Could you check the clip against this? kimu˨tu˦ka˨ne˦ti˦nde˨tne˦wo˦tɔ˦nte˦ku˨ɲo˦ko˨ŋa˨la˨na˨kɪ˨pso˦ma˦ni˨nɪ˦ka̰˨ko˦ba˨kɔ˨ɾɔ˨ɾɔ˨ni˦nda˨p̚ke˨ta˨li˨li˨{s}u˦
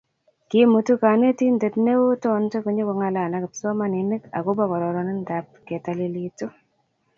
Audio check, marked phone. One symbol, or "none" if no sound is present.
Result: t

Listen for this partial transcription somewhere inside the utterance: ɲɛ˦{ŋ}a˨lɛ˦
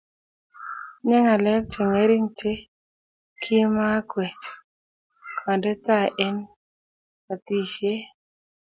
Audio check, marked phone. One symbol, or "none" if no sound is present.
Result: ŋ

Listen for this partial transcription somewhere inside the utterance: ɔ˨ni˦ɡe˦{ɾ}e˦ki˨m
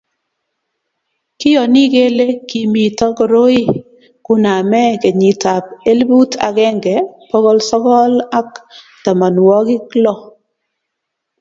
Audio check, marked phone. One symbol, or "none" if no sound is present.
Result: l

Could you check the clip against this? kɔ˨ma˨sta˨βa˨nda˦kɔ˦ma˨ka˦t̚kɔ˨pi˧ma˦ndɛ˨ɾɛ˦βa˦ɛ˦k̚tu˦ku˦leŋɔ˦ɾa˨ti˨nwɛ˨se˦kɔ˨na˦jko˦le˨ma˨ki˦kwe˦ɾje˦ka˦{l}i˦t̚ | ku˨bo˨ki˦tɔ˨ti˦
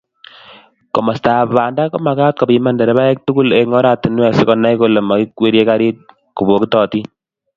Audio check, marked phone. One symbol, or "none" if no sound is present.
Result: ɾ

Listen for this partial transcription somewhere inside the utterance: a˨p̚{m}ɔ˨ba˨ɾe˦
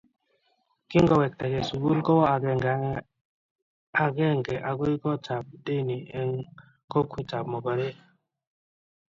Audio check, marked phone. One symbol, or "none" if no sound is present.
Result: m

